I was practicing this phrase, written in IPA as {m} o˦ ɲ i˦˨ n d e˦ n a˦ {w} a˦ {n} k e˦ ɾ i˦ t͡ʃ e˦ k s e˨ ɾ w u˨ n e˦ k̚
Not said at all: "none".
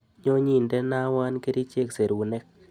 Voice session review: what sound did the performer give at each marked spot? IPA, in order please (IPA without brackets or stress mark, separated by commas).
ɲ, w, n